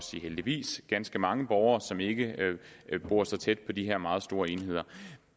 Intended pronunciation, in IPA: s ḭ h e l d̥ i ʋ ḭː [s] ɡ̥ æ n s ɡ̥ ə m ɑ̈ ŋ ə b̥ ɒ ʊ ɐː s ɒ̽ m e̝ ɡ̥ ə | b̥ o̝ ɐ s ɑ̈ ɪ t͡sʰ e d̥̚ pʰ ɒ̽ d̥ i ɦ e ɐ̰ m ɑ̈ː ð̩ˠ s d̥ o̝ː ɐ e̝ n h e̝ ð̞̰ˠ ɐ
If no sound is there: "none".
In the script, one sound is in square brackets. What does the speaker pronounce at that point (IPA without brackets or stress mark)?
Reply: s